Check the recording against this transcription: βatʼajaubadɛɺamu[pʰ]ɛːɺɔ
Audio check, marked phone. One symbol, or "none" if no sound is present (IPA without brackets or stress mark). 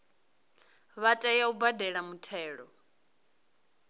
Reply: tʰ